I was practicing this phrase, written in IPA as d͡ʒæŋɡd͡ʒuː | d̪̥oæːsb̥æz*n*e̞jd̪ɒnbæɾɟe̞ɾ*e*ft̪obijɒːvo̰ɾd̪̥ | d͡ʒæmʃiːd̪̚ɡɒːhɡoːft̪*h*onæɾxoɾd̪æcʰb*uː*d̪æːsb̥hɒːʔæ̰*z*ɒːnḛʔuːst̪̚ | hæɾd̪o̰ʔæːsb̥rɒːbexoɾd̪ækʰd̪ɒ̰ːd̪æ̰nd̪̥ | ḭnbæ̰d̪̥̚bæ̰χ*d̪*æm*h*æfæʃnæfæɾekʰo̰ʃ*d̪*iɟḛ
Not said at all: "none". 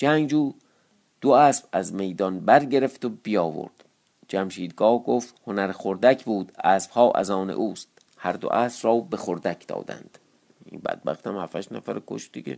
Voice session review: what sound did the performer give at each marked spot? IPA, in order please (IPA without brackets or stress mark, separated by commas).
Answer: m, e, h, uː, z, t̪, h, d̪